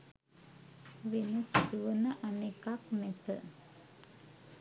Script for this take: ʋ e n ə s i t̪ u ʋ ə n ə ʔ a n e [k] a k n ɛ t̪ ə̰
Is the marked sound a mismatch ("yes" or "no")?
no